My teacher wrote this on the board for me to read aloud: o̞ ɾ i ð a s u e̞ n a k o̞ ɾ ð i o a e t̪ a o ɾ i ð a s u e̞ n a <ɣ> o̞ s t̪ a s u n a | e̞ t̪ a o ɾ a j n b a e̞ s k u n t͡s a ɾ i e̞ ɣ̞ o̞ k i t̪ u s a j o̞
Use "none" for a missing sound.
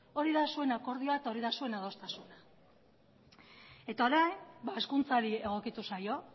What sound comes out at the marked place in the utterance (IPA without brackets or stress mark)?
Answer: ð